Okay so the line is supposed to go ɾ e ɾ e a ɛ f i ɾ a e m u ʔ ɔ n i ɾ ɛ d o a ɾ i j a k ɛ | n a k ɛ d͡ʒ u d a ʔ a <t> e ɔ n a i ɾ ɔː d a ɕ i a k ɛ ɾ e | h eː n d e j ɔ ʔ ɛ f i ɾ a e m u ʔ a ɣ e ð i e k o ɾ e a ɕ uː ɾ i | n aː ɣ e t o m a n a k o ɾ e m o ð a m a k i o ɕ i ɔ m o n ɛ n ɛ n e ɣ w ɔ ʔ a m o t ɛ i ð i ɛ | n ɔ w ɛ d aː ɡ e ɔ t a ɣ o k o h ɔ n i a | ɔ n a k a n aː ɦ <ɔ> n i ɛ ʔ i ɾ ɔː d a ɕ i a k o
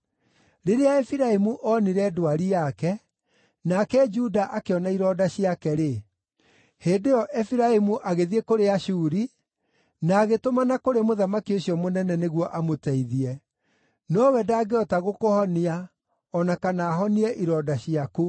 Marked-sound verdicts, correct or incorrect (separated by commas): incorrect, correct